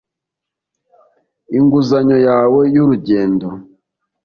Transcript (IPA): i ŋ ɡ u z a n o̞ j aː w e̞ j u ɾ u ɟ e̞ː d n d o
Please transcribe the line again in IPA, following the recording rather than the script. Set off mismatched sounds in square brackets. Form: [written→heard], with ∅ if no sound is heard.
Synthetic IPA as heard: i ŋ ɡ u z a [n→ɲ] o̞ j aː w e̞ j u ɾ u ɟ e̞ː [d→∅] n d o